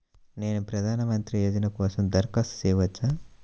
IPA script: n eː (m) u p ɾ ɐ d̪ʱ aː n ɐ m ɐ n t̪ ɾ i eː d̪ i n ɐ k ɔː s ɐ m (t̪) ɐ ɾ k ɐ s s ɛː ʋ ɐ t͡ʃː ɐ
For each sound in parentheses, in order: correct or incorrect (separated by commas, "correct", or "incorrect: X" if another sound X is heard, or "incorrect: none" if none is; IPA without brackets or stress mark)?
incorrect: n, incorrect: d̪